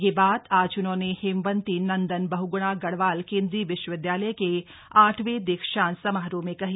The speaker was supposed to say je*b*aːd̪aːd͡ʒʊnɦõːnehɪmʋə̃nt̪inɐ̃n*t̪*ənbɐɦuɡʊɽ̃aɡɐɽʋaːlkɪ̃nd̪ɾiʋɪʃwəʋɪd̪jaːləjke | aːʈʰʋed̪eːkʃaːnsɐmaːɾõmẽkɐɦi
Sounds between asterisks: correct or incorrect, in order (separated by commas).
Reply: correct, incorrect